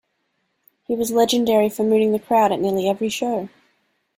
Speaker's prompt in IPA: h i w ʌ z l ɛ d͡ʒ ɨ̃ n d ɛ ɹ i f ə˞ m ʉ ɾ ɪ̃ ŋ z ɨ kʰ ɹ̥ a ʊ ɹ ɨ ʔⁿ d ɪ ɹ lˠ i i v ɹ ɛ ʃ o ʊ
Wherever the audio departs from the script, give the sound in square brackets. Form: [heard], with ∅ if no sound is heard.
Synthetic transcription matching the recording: h i w ʌ z l ɛ d͡ʒ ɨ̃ n d ɛ ɹ i f ə˞ m ʉ ɾ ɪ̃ ŋ [ð] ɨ kʰ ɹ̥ a ʊ [ɾ] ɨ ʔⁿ [n] ɪ ɹ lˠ i [ɛ] v ɹ [i] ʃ o ʊ